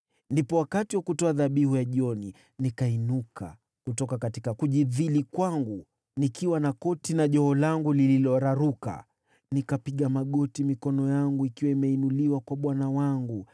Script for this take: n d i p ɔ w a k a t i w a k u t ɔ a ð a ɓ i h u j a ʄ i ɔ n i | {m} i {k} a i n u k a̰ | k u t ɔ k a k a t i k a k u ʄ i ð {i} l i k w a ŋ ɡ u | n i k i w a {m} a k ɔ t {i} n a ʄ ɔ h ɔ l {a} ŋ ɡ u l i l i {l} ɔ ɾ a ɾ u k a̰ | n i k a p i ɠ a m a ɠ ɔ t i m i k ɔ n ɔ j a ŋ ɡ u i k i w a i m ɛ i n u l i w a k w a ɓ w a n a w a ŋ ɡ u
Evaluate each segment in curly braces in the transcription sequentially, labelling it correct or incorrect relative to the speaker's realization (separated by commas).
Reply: incorrect, correct, correct, incorrect, correct, correct, correct